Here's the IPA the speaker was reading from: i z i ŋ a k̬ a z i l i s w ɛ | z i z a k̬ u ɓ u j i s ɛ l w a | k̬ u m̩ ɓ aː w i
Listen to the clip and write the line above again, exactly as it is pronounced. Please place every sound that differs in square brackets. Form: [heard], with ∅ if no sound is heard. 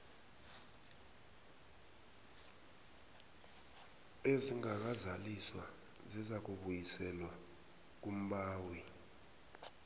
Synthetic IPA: [e] z i ŋ a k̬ a z [a] l i s w [a] | z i z a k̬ u ɓ u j i s ɛ l w a | k̬ u m̩ ɓ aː w i

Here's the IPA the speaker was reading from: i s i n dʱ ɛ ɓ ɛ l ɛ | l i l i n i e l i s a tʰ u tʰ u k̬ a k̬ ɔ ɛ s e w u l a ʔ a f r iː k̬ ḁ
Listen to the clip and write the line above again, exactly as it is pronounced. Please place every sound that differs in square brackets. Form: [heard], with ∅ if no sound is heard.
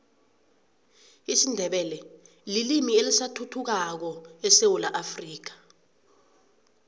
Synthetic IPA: i s i n dʱ ɛ ɓ ɛ l ɛ | l i l i [m] i e l i s a tʰ u tʰ u k̬ a k̬ ɔ ɛ s e w u l a ʔ a f r iː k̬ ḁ

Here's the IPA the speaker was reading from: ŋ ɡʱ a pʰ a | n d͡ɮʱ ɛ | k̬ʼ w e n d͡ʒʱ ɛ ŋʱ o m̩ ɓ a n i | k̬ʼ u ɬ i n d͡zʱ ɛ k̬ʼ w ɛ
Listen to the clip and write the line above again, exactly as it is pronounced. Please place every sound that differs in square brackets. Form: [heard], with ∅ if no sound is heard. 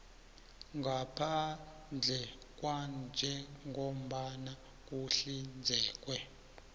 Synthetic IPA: ŋ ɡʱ a pʰ a | n d͡ɮʱ ɛ | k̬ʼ w [a] n d͡ʒʱ ɛ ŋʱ o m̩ ɓ a n [a] | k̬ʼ u ɬ i n d͡zʱ [ɛː] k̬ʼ w ɛ

